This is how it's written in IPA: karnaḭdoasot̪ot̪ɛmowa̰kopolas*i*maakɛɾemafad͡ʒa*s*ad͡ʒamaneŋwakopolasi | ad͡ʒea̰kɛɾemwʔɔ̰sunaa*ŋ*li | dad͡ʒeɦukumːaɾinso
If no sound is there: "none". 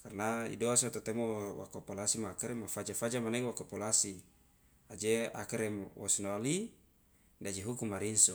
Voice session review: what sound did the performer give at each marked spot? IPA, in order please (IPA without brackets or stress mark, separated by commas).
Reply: i, f, none